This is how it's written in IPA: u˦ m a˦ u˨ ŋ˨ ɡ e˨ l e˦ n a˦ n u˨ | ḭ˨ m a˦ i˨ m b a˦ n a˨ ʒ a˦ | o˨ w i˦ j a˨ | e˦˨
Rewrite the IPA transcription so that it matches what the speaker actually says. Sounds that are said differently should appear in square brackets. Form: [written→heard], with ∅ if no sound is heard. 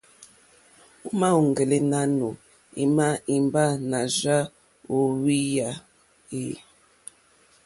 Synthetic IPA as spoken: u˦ m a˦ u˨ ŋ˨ ɡ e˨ l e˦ n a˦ n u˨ | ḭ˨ m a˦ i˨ m b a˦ n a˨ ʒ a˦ | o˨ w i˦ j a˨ | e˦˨